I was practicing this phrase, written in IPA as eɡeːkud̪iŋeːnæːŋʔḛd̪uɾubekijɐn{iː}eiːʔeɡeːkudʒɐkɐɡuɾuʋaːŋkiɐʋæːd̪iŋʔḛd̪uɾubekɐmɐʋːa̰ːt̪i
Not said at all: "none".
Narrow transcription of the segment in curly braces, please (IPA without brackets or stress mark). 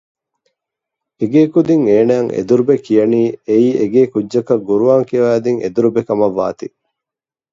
iː